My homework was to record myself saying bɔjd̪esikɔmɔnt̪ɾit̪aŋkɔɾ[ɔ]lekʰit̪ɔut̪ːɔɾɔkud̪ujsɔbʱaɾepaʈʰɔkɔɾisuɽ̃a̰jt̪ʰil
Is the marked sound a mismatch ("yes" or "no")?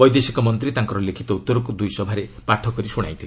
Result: no